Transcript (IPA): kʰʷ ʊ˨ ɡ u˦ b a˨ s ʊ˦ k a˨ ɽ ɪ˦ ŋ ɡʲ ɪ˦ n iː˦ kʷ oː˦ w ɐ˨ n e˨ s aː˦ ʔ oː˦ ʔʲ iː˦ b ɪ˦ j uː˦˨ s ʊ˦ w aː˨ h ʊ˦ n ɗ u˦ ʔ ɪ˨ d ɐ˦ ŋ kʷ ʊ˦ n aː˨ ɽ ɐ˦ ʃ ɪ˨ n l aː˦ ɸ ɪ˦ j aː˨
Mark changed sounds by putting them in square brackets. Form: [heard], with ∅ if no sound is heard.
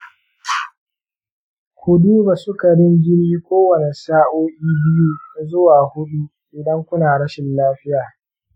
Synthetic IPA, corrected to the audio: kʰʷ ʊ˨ [d] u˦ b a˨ s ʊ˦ k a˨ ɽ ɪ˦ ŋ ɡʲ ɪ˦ n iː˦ kʷ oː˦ w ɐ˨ n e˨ s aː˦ ʔ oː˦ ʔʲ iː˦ b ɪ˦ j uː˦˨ [z] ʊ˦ w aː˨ h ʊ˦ [∅] ɗ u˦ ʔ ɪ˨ d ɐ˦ ŋ kʷ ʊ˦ n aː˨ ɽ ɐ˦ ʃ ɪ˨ n l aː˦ ɸ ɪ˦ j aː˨